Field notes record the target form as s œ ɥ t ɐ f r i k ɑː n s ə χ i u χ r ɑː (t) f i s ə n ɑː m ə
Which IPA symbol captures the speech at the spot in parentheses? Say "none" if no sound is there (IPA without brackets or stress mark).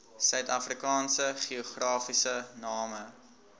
none